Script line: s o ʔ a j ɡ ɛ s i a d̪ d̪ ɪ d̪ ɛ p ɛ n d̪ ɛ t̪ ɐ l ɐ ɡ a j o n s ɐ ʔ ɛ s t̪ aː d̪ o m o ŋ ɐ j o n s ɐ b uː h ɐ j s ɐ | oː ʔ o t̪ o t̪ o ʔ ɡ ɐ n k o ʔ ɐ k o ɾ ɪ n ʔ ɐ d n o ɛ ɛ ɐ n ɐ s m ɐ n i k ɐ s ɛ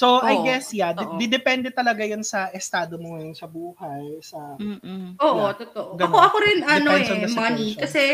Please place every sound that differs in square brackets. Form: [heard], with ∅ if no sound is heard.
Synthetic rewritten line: s o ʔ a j ɡ ɛ s [j] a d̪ d̪ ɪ d̪ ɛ p ɛ n d̪ ɛ t̪ ɐ l ɐ ɡ a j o n s ɐ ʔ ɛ s t̪ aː d̪ o m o ŋ ɐ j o n s ɐ b uː h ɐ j s ɐ | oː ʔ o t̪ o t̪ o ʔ ɡ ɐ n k o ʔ ɐ k o ɾ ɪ n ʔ ɐ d n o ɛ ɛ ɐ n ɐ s m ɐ n i k ɐ s ɛ